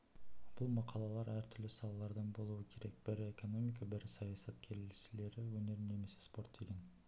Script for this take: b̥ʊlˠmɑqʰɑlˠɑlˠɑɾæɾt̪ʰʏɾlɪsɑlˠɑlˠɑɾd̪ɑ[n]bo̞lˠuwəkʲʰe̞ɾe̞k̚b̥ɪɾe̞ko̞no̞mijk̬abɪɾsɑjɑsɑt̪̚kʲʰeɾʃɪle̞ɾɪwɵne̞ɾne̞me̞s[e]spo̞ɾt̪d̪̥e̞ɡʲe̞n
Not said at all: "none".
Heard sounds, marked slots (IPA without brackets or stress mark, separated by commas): n, e